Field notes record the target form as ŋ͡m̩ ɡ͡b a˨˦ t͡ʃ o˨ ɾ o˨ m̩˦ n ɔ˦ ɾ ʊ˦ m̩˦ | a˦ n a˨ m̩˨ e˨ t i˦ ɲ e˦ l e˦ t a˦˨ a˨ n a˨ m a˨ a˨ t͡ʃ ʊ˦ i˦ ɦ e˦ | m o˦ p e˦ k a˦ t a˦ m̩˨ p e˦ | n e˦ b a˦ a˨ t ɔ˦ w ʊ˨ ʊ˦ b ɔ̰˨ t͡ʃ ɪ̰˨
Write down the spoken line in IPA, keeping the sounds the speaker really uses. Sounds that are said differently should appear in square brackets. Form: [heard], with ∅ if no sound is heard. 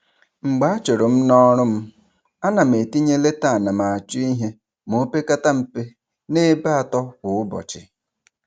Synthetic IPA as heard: ŋ͡m̩ ɡ͡b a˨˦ t͡ʃ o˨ ɾ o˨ m̩˦ n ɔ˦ ɾ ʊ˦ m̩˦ | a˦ n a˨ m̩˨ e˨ t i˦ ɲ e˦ l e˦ t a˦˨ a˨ n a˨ m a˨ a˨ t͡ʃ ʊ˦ i˦ ɦ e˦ | m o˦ p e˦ k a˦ t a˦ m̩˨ p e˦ | n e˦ b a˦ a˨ t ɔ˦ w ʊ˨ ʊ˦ b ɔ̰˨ t͡ʃ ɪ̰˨